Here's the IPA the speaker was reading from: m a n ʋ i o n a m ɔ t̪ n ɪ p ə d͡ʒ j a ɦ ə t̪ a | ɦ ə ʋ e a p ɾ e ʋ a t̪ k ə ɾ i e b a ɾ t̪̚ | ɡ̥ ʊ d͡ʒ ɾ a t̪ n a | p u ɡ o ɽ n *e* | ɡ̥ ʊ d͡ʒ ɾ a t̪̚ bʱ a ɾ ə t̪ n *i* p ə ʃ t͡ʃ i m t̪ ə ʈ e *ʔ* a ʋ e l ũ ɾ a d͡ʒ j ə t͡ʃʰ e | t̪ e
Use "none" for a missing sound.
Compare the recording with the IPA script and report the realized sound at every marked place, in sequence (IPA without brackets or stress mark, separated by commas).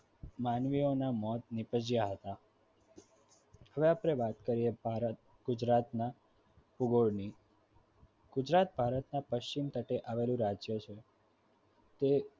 i, a, ʔ